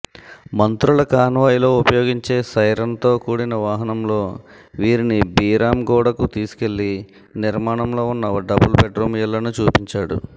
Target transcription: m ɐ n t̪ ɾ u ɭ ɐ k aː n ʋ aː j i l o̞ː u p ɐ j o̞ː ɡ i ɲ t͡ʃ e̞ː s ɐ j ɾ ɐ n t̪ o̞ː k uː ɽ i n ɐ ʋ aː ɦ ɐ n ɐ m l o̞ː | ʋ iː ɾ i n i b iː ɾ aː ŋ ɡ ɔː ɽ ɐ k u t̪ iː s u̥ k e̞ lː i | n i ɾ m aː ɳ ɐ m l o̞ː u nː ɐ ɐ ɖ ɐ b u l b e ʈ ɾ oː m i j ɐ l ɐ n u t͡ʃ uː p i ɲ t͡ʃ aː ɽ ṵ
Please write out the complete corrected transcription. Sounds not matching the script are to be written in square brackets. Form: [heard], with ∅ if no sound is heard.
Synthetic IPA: m ɐ n t̪ ɾ u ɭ ɐ k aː n ʋ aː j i l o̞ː u p ɐ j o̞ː ɡ i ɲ t͡ʃ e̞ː s ɐ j ɾ ɐ n t̪ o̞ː k uː ɽ i n ɐ ʋ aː ɦ ɐ n ɐ m l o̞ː | ʋ iː ɾ i n i b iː ɾ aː [m] ɡ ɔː ɽ ɐ k u t̪ iː s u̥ k e̞ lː i | n i ɾ m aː ɳ ɐ m l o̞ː u nː ɐ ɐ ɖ ɐ b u l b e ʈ ɾ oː m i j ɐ l ɐ n u t͡ʃ uː p i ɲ t͡ʃ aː ɽ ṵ